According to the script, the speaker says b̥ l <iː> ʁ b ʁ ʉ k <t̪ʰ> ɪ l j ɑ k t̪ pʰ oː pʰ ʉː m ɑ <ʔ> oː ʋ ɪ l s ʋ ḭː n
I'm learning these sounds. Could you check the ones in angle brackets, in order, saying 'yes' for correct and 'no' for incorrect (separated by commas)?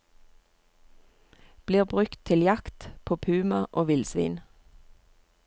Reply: yes, yes, yes